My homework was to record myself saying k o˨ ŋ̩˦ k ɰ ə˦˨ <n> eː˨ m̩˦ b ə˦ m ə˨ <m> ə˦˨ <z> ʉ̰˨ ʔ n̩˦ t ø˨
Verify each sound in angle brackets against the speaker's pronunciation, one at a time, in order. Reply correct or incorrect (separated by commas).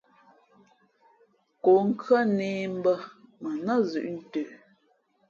correct, incorrect, correct